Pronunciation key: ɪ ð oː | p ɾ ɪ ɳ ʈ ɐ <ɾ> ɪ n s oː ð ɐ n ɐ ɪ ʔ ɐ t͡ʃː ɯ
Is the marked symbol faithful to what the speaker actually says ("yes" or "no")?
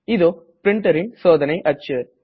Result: yes